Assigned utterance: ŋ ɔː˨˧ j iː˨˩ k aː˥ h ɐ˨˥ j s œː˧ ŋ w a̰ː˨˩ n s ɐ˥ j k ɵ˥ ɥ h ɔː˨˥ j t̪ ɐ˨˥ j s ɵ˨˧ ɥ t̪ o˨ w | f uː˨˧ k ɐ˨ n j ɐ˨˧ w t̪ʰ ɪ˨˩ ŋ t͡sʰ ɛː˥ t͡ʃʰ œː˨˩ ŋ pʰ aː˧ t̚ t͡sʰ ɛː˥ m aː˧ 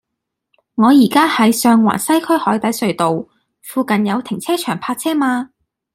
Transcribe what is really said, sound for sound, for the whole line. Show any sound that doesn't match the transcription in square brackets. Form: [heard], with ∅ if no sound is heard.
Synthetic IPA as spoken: ŋ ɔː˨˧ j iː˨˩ k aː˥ h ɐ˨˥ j s œː˧ ŋ w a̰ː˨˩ n s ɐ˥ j [kʰ] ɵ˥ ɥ h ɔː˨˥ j t̪ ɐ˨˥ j s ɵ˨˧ ɥ t̪ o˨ w | f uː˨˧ k ɐ˨ n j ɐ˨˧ w t̪ʰ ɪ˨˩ ŋ t͡sʰ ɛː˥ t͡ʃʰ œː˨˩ ŋ pʰ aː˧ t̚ t͡sʰ ɛː˥ m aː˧